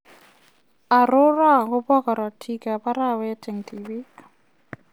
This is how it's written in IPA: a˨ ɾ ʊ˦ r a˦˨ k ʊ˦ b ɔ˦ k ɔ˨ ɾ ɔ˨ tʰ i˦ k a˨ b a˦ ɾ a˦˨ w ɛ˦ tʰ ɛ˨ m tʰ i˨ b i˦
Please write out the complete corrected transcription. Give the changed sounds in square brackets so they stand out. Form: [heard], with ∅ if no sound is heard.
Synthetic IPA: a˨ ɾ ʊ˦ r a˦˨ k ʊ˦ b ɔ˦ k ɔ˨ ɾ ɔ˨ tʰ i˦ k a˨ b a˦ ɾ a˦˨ w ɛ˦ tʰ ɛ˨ [ŋ] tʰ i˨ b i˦